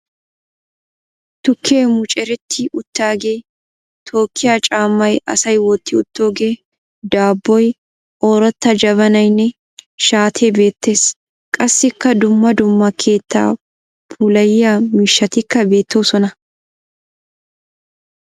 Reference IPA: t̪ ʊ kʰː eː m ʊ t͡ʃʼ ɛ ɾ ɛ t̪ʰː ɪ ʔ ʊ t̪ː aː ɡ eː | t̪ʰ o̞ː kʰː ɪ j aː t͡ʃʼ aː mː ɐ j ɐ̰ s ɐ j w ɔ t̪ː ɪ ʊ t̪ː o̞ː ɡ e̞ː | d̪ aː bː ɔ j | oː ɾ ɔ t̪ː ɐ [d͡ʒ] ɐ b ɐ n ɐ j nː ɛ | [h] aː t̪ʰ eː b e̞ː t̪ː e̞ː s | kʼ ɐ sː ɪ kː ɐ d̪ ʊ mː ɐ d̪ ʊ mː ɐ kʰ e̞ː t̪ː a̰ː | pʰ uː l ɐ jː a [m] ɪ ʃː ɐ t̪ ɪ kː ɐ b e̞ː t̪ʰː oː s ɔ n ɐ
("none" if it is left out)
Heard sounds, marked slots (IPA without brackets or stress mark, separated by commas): d͡ʒ, ʃ, m